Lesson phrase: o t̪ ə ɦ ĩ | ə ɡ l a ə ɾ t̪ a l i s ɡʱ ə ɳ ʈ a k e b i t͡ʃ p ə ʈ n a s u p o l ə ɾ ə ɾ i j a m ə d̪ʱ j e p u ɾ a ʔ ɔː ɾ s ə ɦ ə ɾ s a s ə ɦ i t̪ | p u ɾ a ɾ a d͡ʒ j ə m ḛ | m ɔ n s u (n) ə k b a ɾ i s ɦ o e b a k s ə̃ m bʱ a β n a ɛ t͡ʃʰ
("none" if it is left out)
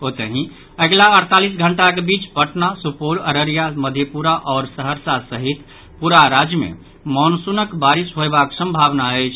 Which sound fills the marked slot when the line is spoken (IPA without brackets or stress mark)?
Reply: n